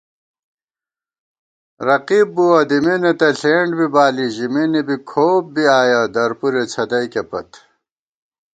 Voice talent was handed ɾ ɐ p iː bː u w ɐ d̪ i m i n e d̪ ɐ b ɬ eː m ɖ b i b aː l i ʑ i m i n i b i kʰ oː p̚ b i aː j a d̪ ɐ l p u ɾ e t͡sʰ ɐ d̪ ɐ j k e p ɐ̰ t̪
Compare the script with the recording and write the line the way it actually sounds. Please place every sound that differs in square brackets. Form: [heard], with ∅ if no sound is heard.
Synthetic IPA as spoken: ɾ ɐ [q] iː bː u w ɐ d̪ i m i n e [t̪] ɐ [∅] ɬ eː [ɳ] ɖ b i b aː l i ʑ i m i n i b i kʰ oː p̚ b i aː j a d̪ ɐ [ɾ] p u ɾ e t͡sʰ ɐ d̪ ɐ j k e p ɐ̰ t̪